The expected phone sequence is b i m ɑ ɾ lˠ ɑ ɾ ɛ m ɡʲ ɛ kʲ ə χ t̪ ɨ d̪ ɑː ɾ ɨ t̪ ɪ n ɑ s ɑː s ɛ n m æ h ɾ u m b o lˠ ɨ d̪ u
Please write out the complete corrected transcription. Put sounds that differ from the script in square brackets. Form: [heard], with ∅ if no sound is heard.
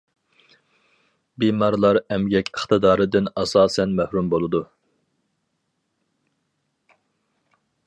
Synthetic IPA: b i m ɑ ɾ lˠ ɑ ɾ ɛ m ɡʲ ɛ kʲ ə χ t̪ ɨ d̪ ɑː ɾ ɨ [d̪] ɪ n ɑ s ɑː s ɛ n m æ h ɾ u m b o lˠ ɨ d̪ u